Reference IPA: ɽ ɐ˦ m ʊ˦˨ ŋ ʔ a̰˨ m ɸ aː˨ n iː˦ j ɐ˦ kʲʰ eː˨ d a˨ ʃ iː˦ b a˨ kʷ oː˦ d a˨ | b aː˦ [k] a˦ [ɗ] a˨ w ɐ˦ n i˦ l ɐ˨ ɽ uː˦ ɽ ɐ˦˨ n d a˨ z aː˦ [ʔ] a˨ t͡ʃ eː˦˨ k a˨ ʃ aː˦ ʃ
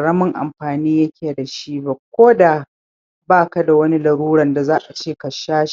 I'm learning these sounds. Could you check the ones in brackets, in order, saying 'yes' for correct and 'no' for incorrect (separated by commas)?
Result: yes, no, yes